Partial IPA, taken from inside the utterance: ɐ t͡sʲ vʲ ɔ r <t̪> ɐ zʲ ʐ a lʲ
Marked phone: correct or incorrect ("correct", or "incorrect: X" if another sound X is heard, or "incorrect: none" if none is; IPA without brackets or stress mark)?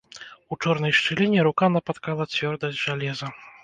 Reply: incorrect: d̪